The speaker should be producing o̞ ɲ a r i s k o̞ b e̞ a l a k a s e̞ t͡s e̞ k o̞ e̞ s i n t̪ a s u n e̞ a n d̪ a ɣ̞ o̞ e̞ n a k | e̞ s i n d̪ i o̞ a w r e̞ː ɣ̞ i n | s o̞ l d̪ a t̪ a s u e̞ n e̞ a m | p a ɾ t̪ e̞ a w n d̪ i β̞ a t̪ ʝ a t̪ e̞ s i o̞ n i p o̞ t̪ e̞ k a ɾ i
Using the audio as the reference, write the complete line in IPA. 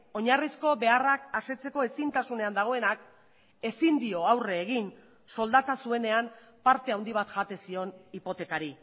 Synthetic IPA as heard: o̞ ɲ a r i s k o̞ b e̞ a r a k a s e̞ t͡s e̞ k o̞ e̞ s i n t̪ a s u n e̞ a n d̪ a ɣ̞ o̞ e̞ n a k | e̞ s i n d̪ i o̞ a w r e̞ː ɣ̞ i n | s o̞ l d̪ a t̪ a s u e̞ n e̞ a m | p a ɾ t̪ e̞ a w n d̪ i β̞ a t̪ ʝ a t̪ e̞ s i o̞ n i p o̞ t̪ e̞ k a ɾ i